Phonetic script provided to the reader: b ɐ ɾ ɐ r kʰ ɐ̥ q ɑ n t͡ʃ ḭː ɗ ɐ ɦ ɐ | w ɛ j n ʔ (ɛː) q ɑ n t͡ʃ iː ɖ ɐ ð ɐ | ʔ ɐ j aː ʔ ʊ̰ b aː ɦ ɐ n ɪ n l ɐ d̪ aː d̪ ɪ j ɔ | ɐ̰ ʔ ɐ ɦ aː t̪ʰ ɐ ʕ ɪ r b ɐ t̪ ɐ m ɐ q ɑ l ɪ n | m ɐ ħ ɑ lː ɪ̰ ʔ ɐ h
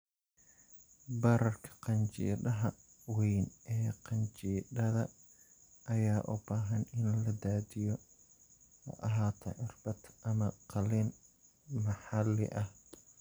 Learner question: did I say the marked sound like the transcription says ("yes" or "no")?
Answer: yes